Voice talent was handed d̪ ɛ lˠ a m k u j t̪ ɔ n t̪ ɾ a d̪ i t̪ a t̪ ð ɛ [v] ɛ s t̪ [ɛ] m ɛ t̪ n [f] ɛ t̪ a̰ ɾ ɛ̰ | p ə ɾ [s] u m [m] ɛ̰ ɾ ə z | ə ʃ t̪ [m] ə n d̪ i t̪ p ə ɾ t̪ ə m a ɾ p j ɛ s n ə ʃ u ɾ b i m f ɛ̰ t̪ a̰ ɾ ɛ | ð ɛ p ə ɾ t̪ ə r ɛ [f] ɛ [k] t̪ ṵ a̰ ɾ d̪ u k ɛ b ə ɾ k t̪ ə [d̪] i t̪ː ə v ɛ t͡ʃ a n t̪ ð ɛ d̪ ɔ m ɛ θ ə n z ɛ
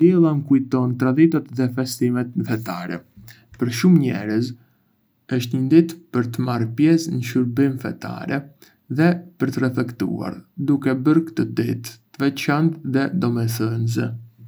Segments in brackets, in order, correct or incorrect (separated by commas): incorrect, incorrect, correct, incorrect, incorrect, incorrect, correct, correct, correct